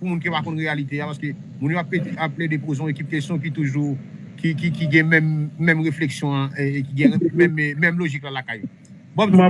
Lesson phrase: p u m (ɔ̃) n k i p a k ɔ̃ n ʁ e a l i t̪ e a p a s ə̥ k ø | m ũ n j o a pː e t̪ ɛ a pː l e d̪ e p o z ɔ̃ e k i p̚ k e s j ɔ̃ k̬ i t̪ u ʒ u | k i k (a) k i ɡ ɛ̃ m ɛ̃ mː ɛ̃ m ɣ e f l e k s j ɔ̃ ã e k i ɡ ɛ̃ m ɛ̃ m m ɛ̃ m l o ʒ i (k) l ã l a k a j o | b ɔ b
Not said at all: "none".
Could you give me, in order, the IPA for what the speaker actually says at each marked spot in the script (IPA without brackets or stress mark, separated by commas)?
ũ, i, k